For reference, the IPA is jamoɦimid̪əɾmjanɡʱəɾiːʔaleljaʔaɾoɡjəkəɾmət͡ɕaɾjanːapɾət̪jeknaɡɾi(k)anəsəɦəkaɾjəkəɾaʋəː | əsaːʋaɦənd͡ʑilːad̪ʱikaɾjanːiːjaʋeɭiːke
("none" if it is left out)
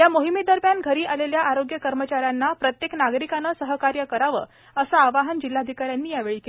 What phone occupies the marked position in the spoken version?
k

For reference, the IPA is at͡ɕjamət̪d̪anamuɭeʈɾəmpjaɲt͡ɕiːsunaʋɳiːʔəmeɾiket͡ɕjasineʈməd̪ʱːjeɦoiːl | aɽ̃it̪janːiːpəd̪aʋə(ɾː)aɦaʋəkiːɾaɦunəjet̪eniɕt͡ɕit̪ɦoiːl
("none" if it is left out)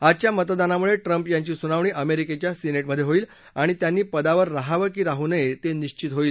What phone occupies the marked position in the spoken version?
ɾː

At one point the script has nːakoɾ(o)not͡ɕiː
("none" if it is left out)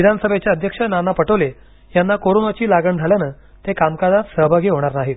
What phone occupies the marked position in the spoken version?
o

